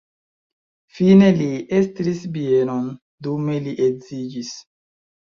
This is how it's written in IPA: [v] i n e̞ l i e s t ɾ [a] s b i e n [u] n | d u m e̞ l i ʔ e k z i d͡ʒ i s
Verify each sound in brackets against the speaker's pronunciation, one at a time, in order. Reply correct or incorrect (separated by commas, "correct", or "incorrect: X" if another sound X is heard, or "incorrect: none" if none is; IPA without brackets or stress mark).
incorrect: f, incorrect: i, incorrect: o